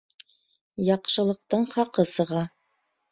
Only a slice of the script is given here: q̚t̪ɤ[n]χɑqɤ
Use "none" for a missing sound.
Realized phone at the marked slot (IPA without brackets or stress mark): ɴ